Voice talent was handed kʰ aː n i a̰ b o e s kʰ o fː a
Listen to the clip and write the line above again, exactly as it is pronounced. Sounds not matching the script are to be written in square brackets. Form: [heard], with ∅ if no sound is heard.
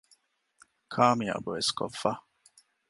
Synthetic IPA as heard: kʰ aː [m] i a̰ b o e s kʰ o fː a